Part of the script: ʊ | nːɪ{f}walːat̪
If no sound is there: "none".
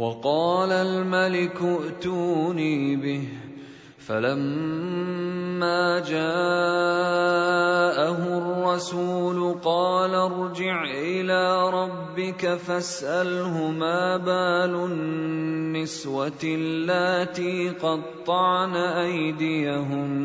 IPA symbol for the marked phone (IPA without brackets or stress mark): s